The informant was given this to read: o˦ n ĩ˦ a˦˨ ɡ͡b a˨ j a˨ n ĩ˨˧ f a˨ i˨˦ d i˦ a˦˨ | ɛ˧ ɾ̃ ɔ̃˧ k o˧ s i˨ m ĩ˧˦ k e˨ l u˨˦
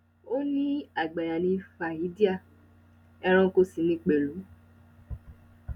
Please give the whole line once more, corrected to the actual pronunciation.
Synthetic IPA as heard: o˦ n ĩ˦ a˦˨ ɡ͡b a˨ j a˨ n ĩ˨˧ f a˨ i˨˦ d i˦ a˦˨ | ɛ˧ ɾ̃ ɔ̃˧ k o˧ s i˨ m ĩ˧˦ k͡p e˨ l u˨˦